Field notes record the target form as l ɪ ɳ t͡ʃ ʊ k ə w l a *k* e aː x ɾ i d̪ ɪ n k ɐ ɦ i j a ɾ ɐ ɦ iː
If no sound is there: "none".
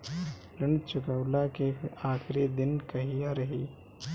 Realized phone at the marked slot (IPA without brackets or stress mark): k